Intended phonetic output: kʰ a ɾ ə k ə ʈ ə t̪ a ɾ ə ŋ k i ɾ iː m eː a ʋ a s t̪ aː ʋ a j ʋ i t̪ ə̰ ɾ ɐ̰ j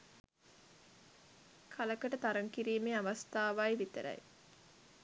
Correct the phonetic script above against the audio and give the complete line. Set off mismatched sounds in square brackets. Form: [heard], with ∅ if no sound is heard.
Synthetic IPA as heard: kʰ a [l] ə k ə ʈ ə t̪ a ɾ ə ŋ k i ɾ iː m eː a ʋ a s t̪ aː ʋ a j ʋ i t̪ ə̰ ɾ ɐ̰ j